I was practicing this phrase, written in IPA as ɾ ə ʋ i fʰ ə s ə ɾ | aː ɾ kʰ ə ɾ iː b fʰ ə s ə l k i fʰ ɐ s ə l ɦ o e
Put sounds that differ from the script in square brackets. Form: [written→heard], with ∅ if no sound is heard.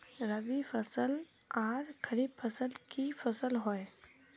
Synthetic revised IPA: ɾ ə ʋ i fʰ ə s ə [ɾ→l] | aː ɾ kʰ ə ɾ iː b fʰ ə s ə l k i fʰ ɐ s ə l ɦ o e